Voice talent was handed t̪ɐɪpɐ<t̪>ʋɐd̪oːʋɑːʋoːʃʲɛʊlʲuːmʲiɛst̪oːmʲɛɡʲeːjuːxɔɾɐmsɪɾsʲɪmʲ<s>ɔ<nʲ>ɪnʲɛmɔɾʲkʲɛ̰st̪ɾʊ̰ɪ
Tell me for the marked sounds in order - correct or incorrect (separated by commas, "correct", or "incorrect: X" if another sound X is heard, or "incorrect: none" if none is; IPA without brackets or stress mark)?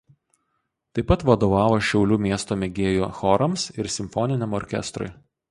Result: correct, incorrect: f, correct